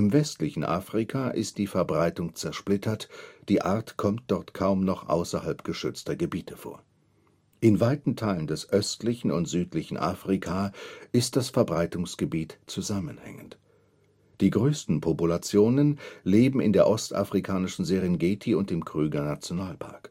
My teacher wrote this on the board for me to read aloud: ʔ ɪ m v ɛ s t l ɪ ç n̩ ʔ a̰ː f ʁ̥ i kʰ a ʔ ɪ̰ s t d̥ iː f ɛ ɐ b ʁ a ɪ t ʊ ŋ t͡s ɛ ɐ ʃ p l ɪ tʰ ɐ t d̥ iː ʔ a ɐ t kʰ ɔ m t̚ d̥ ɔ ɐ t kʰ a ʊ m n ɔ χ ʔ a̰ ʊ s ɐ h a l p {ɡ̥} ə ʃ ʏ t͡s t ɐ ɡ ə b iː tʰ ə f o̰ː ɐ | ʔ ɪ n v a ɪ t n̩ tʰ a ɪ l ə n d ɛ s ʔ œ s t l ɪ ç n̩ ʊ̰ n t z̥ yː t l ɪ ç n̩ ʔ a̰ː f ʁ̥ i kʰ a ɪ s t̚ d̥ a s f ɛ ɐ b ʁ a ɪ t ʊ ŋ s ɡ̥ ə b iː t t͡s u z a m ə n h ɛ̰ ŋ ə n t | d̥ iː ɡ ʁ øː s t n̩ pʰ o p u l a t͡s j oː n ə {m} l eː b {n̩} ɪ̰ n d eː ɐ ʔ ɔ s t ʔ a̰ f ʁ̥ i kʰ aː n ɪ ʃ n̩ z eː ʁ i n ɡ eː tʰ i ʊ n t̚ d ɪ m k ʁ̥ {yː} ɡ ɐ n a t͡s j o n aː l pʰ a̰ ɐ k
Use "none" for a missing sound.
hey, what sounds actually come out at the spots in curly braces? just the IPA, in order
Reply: ɡ̥, n, m̩, yː

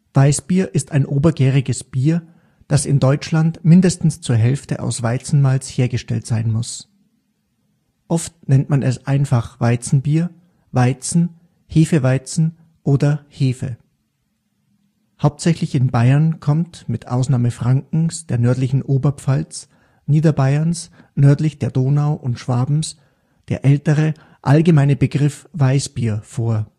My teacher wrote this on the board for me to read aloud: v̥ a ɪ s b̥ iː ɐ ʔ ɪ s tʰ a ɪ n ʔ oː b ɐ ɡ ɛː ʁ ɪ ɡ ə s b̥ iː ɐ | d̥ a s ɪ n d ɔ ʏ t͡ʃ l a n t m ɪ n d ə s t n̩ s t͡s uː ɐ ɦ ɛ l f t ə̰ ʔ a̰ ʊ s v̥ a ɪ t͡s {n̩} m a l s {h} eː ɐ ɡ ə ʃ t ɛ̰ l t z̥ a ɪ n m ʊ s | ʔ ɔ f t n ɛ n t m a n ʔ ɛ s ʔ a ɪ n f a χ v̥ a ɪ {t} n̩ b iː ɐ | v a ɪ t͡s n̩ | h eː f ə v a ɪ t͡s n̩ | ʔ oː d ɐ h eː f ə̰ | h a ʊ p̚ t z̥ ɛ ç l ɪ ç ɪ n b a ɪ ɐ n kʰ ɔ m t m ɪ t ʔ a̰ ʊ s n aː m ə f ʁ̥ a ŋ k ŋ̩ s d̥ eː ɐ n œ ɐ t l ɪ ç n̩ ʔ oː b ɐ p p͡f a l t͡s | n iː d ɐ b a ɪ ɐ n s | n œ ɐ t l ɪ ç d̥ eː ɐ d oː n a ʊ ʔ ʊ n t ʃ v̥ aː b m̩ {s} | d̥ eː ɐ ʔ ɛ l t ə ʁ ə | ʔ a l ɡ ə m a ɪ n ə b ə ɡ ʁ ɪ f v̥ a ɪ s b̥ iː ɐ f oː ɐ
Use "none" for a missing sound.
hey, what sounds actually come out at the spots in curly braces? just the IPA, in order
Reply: n̩, h, t͡s, s

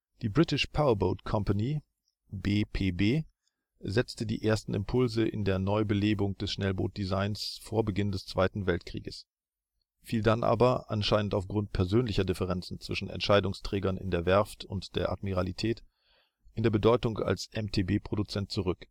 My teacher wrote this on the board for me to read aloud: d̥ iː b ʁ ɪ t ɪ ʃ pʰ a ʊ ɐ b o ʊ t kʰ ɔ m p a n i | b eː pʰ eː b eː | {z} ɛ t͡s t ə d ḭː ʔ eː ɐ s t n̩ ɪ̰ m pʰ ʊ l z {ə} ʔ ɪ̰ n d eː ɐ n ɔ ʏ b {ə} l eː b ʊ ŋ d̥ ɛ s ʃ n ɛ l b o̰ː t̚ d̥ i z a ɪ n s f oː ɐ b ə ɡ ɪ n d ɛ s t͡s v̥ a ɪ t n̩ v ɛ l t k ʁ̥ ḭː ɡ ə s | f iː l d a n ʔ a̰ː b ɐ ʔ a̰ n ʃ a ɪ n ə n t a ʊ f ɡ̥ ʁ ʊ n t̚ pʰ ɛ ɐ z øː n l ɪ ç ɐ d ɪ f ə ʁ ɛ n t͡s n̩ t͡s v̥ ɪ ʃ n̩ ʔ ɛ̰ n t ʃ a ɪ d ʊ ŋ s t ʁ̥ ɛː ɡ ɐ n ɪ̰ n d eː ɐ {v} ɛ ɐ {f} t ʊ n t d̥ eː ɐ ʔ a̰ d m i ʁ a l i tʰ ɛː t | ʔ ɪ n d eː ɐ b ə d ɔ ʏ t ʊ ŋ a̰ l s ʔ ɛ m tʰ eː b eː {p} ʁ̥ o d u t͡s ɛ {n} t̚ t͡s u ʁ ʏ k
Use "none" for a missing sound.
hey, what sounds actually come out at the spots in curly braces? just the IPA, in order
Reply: z, ə, ə, v, f, p, n

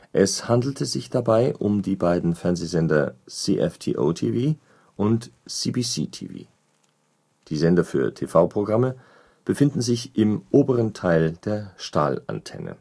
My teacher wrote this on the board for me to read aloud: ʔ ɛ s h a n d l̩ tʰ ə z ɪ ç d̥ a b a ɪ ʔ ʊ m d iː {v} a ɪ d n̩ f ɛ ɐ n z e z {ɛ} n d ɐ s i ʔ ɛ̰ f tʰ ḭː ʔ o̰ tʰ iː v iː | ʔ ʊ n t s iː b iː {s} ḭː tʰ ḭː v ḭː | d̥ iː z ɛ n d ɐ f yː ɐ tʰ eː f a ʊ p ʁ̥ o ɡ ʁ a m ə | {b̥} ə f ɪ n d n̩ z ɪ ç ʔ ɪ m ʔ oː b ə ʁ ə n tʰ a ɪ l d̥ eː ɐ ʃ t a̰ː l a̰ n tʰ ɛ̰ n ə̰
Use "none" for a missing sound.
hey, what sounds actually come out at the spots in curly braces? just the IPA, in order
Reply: b, ɛ, s, b̥

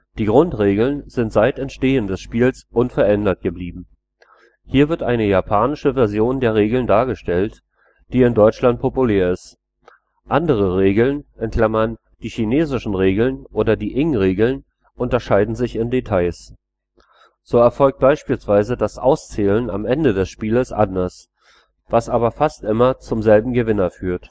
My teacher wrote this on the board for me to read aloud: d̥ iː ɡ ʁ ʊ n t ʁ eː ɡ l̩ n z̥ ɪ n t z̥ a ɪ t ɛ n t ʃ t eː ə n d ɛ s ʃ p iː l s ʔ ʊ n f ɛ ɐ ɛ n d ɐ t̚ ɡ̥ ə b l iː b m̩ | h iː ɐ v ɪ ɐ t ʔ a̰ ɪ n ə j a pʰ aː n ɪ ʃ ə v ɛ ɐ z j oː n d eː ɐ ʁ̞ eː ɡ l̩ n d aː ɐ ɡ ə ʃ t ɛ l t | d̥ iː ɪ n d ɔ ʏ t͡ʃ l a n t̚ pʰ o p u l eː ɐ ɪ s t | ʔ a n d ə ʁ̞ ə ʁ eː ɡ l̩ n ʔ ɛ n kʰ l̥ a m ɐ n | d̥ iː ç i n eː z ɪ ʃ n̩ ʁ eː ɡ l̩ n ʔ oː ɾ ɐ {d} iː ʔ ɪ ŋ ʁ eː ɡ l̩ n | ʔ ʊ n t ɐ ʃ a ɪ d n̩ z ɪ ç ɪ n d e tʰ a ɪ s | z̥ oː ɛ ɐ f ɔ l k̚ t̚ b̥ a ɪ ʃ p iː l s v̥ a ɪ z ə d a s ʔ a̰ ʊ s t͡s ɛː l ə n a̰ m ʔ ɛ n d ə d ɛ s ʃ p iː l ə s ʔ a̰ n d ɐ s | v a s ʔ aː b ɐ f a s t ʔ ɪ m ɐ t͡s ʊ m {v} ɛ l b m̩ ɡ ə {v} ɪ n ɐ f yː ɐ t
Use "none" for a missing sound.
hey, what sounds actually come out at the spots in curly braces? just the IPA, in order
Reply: d, z, v

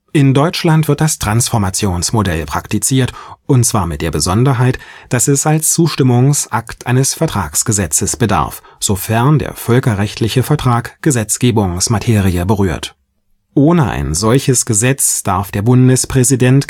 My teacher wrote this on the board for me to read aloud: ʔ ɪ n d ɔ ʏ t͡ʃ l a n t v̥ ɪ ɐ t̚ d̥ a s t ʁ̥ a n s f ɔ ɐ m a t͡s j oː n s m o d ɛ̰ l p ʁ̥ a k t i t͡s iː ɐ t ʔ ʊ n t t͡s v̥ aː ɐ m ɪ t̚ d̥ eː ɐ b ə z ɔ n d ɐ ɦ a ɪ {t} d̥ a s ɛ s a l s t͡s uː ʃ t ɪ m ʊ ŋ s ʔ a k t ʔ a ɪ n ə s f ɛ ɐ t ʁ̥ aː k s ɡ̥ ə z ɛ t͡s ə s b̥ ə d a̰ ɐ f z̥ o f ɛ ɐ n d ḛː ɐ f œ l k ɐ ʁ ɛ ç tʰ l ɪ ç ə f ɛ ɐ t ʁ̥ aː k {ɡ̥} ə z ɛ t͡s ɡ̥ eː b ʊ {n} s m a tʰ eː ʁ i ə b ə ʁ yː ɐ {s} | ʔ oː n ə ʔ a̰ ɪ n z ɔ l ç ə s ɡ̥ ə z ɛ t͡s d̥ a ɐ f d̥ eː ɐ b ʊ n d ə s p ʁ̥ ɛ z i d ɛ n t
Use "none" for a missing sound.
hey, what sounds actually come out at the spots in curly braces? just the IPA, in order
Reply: t, ɡ̥, ŋ, t

